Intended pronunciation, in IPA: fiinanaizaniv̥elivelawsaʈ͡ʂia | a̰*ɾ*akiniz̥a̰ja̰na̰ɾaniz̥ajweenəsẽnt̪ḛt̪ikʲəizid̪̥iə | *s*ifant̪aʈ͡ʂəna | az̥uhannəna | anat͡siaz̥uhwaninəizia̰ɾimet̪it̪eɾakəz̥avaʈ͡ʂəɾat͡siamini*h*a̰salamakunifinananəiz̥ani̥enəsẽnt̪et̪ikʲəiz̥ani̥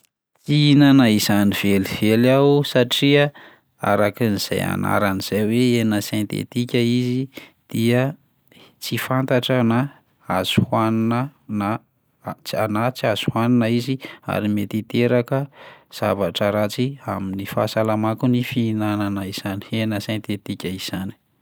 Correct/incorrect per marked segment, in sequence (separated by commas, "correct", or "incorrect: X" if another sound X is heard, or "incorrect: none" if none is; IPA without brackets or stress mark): correct, incorrect: t͡s, incorrect: f